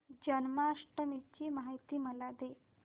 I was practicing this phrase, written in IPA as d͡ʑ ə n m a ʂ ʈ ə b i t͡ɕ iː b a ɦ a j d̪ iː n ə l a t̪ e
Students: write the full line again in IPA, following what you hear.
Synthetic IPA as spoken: d͡ʑ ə n m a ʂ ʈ ə m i t͡ɕ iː m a ɦ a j t̪ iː m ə l a d̪ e